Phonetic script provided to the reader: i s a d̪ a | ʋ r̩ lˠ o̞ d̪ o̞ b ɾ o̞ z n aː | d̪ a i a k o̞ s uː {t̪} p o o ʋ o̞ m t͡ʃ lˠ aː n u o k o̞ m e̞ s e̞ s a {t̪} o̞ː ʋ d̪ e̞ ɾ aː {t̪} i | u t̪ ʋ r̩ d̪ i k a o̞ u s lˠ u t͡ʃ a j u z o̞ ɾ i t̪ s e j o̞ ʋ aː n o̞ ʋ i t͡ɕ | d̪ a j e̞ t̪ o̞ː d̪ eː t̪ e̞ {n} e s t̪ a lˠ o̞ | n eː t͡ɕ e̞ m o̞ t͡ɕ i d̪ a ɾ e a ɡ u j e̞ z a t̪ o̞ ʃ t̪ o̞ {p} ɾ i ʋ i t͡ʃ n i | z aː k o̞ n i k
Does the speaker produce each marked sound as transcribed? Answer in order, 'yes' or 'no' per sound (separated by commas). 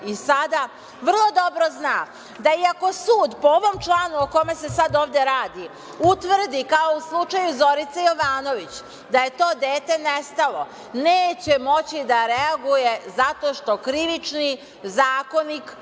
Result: no, no, no, yes, no